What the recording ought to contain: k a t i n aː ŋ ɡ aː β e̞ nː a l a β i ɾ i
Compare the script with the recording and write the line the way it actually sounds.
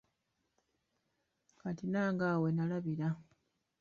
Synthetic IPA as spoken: k a t i n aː ŋ ɡ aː w e̞ n a l a β i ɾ a